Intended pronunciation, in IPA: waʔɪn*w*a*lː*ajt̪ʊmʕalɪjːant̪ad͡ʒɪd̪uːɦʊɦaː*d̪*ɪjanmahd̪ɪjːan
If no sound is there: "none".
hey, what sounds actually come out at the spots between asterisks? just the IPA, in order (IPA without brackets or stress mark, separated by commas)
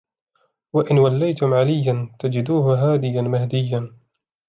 w, lː, d̪